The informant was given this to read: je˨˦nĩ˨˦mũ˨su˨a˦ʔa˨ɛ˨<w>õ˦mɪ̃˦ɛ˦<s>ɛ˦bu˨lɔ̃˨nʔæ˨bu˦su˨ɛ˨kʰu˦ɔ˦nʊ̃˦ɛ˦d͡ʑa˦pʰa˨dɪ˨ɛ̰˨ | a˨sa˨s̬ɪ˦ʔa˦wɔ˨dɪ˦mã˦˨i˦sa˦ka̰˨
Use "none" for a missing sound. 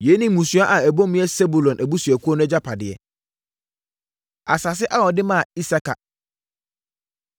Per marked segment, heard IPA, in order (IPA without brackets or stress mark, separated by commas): b, s